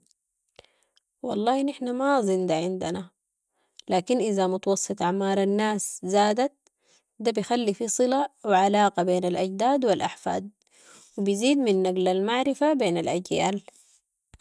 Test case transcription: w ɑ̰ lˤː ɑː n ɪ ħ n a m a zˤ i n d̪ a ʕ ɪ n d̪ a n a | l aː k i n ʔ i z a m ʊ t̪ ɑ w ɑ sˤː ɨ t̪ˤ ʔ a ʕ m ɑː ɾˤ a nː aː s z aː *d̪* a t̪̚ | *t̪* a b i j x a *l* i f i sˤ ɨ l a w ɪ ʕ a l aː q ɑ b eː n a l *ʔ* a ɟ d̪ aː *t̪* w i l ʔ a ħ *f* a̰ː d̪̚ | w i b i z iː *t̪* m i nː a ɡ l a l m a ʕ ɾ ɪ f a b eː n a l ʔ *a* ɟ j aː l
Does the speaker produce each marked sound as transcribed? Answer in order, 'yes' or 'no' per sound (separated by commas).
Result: yes, no, no, yes, no, yes, no, yes